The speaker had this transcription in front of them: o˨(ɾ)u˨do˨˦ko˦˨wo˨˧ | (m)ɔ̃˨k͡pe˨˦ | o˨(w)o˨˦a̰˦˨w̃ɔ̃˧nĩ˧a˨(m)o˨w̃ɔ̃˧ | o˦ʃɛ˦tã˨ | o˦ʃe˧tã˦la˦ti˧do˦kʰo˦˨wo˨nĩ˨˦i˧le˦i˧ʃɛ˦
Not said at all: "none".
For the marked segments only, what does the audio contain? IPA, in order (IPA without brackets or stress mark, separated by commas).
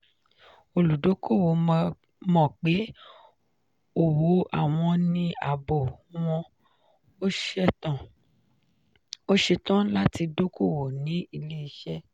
l, m, w, b